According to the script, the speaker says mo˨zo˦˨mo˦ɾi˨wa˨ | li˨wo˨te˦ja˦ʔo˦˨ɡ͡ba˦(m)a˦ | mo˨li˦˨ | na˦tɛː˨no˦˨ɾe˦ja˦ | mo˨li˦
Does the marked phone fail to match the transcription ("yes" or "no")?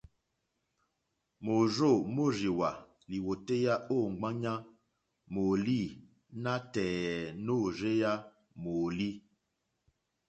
yes